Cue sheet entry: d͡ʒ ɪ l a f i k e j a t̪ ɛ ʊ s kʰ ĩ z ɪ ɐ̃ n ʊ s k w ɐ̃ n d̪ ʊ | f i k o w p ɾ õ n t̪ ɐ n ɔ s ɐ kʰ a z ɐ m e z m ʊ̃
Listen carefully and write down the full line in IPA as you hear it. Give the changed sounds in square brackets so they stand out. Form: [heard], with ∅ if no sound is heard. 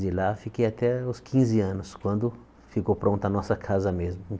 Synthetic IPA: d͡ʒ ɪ l a f i k e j a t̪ ɛ ʊ s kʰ ĩ z ɪ ɐ̃ n ʊ s k w ɐ̃ n d̪ ʊ | f i k o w p ɾ õ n t̪ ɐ n ɔ s ɐ kʰ a z ɐ m e z m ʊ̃